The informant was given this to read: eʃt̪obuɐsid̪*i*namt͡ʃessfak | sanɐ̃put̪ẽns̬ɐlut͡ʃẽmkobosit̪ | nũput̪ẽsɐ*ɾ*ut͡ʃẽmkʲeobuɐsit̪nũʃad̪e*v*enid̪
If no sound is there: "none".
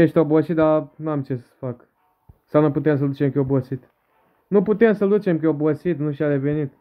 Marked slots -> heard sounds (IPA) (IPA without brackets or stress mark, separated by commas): a, l, v